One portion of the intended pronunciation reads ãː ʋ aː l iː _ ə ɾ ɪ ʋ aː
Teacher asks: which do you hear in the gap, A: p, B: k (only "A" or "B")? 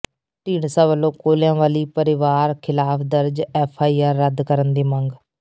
A